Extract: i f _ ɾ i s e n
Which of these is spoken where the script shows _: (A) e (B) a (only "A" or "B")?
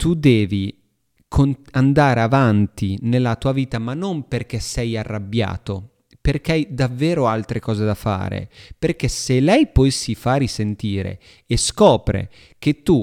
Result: B